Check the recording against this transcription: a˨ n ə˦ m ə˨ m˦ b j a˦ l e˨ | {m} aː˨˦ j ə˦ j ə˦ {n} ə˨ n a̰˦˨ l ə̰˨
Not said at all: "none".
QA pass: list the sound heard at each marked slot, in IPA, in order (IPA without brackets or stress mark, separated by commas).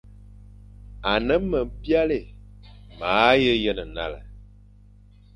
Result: m, n